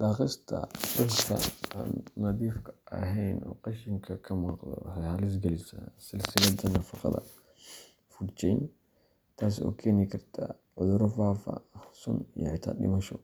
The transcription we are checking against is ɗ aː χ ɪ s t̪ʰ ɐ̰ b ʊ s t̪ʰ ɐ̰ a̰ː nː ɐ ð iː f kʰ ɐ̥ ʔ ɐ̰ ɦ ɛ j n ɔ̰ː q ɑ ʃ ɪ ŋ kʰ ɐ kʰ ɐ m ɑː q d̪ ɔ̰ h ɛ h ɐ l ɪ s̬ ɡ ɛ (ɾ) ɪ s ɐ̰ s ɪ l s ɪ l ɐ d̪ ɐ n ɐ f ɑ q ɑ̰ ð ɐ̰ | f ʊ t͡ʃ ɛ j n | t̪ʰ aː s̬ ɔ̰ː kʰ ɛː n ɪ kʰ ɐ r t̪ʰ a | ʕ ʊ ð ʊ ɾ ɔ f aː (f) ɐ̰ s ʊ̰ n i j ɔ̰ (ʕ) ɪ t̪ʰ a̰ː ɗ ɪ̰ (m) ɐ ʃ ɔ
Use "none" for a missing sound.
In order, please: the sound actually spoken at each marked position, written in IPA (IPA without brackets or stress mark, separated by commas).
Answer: l, f, ʕ, m